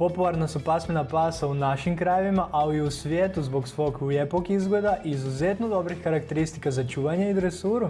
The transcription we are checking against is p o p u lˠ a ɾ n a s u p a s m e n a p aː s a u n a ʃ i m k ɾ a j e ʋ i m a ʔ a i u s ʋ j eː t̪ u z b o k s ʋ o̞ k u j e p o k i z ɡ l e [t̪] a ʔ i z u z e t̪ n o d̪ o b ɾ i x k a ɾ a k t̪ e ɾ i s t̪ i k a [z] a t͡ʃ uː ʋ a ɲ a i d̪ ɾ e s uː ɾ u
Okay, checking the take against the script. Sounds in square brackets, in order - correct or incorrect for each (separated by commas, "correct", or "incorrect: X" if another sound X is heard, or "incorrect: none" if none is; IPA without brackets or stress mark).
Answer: incorrect: d̪, correct